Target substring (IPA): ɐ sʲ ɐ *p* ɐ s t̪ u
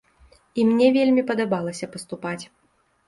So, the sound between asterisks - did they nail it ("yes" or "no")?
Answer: yes